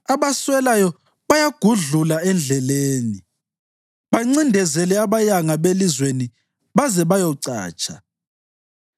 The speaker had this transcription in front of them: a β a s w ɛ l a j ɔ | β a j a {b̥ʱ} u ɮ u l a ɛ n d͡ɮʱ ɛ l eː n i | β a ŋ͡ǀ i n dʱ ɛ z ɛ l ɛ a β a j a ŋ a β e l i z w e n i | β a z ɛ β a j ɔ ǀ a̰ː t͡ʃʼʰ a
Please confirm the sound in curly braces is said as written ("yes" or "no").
no